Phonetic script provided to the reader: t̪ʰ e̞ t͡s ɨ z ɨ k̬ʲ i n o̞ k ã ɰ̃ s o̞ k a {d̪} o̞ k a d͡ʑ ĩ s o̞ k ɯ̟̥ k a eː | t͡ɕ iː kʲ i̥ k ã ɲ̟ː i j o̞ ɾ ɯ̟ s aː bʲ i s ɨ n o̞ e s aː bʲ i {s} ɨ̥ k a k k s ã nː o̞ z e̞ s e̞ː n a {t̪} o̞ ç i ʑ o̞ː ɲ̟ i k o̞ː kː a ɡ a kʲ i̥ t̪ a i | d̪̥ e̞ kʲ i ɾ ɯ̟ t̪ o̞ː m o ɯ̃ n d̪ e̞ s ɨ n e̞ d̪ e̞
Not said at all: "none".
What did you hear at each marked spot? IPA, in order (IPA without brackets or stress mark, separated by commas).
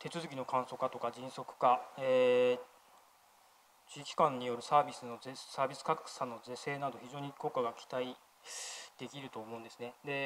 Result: t̪, s, d̪